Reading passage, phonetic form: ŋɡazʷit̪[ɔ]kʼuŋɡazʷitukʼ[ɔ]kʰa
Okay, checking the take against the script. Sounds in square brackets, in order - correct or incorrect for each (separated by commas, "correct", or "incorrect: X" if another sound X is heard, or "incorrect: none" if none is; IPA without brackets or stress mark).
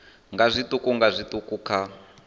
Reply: incorrect: u, incorrect: u